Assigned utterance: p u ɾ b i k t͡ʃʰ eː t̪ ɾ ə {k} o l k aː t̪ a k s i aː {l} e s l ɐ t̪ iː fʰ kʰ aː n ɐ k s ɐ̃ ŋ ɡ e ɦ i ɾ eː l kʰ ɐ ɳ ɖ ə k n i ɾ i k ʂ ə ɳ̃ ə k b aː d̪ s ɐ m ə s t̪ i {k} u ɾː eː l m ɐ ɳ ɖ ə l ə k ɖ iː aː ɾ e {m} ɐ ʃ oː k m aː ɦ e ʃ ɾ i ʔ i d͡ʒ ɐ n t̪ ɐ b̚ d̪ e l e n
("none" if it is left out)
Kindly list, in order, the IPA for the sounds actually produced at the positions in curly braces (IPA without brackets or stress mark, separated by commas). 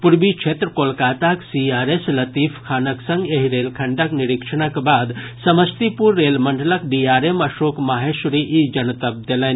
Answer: k, ɾ, p, m